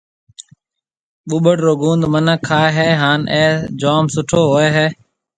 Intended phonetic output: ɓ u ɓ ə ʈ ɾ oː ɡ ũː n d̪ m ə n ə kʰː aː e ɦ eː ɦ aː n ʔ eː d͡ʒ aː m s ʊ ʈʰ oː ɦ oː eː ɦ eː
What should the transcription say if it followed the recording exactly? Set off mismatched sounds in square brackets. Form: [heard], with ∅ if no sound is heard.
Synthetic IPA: ɓ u ɓ ə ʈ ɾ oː ɡ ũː n d̪ m ə n ə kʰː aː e ɦ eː ɦ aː n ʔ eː d͡ʒ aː m s ʊ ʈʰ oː ɦ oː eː ɦ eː